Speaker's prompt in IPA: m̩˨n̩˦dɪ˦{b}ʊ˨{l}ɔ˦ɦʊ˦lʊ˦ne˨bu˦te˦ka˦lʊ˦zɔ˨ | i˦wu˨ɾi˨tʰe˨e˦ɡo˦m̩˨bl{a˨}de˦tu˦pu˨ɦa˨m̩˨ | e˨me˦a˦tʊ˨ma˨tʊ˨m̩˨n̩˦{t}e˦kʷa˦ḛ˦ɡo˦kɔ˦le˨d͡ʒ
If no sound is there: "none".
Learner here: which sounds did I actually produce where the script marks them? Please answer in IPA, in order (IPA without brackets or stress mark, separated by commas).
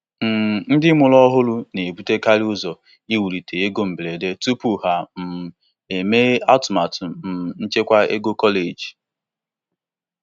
m, l, e˨, t͡ʃ